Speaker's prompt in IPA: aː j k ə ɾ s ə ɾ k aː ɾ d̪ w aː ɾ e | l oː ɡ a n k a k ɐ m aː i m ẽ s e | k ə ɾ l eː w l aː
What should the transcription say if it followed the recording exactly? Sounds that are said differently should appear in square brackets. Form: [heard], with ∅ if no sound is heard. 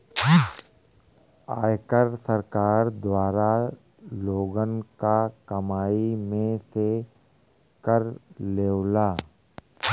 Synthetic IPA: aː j k ə ɾ s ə ɾ k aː ɾ d̪ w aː ɾ [a] | l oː ɡ [ə] n k a k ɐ m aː i m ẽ s e | k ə ɾ l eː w l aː